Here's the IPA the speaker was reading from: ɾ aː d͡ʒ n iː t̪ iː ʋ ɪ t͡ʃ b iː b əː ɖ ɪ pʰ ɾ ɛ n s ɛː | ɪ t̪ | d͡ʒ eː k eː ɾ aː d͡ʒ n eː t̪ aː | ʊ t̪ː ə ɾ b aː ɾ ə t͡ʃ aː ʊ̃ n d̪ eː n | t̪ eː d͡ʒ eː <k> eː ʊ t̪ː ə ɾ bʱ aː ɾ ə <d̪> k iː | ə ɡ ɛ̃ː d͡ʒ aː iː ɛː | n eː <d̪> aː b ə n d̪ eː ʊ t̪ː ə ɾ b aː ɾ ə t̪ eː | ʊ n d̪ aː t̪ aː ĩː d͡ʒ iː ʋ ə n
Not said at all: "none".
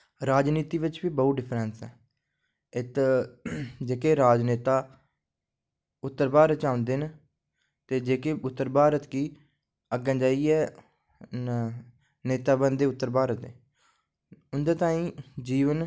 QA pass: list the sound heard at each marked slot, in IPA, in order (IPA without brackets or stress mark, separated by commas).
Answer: k, t̪, t̪